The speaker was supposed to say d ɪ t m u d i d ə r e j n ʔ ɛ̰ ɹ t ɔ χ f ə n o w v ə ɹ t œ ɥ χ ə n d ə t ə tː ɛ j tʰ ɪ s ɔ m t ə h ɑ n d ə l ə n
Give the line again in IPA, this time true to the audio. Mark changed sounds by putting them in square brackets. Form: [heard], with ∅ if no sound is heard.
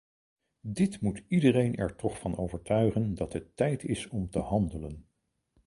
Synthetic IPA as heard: d ɪ t m u [t] i d ə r e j n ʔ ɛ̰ ɹ t ɔ χ f [ɑ] n o w v ə ɹ t œ ɥ χ ə n d [ɑ] t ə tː ɛ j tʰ ɪ s ɔ m t ə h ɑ n d ə l ə n